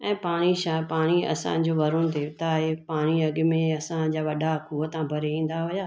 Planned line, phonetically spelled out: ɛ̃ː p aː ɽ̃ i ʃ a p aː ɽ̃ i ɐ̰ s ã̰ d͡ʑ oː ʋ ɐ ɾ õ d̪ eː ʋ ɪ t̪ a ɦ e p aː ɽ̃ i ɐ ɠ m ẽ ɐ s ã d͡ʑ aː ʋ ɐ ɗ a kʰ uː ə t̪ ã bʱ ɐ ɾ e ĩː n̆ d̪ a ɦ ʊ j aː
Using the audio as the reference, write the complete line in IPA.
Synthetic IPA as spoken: ɛ̃ː p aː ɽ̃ i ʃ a p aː ɽ̃ i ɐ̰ s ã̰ d͡ʑ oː ʋ ɐ ɾ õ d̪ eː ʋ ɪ t̪ a ɦ e p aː ɽ̃ i ɐ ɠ m ẽ ɐ s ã d͡ʑ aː ʋ ɐ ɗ a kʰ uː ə t̪ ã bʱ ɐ ɾ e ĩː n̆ d̪ a ɦ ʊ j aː